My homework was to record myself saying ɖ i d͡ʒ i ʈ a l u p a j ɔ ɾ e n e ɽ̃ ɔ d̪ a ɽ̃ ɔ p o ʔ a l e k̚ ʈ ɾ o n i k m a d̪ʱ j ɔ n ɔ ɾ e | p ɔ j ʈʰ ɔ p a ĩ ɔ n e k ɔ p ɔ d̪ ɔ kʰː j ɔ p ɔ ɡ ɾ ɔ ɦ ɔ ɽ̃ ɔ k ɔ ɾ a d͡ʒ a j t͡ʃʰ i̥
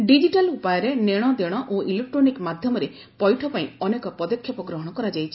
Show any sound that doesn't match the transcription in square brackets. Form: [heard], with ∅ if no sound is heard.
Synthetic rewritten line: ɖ i d͡ʒ i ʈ a l u p a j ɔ ɾ e n e ɽ̃ ɔ d̪ [e] ɽ̃ ɔ [ʔ] o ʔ [i] l e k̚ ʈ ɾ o n i k m a d̪ʱ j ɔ [m] ɔ ɾ e | p ɔ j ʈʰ ɔ p a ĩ ɔ n e k ɔ p ɔ d̪ ɔ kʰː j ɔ p ɔ ɡ ɾ ɔ ɦ ɔ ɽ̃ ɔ k ɔ ɾ a d͡ʒ a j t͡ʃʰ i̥